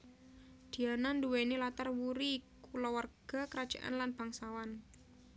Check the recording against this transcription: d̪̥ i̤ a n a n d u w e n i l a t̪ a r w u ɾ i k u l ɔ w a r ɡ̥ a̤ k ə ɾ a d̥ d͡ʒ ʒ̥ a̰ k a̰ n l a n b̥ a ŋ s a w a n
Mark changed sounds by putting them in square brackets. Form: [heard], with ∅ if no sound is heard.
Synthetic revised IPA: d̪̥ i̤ a n a n d u w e n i l a t̪ a r w u ɾ i k u l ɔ w a r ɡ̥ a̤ k ə ɾ a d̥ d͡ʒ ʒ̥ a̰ [ʔ] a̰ n l a n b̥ a ŋ s a w a n